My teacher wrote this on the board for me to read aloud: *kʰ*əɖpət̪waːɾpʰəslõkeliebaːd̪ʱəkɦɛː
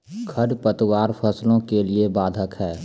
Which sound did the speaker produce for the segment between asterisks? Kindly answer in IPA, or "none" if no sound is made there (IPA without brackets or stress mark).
kʰ